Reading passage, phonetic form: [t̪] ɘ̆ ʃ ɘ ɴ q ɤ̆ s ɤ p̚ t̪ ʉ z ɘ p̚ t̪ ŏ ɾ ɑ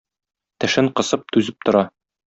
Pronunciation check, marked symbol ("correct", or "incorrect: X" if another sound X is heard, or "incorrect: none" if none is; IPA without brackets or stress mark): correct